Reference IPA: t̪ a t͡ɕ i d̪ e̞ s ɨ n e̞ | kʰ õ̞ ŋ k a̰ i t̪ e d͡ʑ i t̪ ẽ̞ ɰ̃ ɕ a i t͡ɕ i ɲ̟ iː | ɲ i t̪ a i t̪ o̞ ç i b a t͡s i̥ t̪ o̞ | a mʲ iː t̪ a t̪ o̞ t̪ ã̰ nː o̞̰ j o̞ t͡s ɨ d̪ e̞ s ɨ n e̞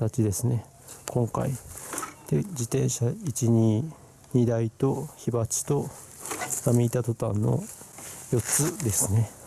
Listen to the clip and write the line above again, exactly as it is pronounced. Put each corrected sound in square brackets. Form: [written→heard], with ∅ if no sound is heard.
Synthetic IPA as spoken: t̪ a t͡ɕ i d̪ e̞ s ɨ n e̞ | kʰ õ̞ ŋ k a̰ i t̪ e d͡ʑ i t̪ ẽ̞ ɰ̃ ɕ a i t͡ɕ i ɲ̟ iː | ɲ i [t̪→d̪] a i t̪ o̞ ç i b a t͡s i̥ t̪ o̞ | a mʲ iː t̪ a t̪ o̞ t̪ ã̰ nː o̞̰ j o̞ t͡s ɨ d̪ e̞ s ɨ n e̞